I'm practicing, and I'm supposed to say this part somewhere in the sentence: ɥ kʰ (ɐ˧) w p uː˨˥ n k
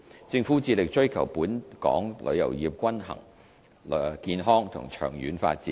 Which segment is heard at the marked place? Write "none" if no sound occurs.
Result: ɐ˨˩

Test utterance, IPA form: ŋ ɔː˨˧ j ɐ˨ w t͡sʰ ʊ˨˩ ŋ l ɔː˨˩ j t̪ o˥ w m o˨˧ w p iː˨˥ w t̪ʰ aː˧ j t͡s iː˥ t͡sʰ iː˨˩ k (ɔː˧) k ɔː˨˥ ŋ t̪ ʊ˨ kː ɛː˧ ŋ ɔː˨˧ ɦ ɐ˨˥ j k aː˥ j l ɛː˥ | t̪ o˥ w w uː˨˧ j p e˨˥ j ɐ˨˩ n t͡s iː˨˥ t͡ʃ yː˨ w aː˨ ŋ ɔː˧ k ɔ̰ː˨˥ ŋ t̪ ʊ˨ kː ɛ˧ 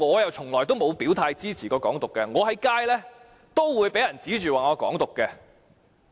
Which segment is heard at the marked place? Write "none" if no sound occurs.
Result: ɔː˧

